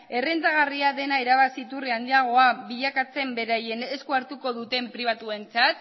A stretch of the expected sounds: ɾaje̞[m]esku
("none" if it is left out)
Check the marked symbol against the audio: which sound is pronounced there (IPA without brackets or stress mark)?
n